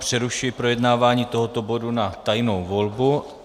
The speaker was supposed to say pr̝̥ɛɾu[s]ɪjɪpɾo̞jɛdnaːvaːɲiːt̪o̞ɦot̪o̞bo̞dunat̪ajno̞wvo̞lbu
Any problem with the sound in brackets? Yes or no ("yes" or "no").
yes